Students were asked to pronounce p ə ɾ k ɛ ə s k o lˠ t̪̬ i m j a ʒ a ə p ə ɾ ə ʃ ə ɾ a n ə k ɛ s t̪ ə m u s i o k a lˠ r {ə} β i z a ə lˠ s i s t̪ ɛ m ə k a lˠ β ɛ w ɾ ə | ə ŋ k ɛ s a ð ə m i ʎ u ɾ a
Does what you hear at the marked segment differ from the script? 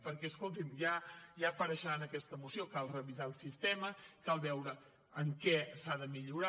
no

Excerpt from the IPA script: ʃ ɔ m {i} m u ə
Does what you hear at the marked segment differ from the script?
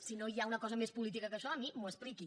no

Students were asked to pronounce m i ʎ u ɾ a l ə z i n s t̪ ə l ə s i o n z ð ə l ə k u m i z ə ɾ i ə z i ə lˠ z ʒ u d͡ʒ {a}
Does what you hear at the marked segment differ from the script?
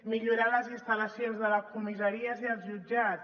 no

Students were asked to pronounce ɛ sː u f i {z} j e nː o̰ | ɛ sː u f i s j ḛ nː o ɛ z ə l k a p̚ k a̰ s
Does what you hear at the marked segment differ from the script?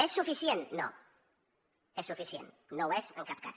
yes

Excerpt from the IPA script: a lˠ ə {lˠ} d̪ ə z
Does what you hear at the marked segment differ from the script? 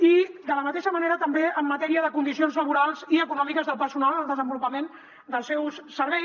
no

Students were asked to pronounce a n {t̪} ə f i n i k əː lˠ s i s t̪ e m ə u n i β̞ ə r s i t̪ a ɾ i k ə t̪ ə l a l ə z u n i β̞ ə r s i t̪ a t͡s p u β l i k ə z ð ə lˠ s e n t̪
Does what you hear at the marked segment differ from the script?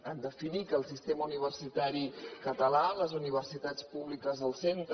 yes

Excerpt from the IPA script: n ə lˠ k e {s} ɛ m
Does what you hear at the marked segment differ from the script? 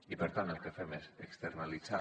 yes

